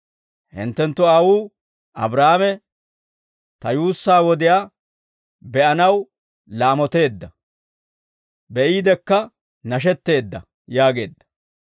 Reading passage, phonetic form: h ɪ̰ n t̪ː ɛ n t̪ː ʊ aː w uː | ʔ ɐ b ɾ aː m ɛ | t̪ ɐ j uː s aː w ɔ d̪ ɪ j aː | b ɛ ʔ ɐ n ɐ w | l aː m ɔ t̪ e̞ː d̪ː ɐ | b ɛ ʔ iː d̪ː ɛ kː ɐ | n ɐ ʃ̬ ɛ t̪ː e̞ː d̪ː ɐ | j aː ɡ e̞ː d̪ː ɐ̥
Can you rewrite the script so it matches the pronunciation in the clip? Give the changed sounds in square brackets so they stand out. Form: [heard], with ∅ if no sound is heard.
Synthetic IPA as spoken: h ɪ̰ n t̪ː ɛ n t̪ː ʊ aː w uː | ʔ ɐ b ɾ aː m ɛ | t̪ ɐ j uː [sː] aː w ɔ d̪ ɪ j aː | b ɛ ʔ ɐ n ɐ w | l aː m ɔ t̪ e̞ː d̪ː ɐ | b ɛ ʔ iː [d̪] ɛ kː ɐ | n ɐ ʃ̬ ɛ t̪ː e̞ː d̪ː ɐ | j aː ɡ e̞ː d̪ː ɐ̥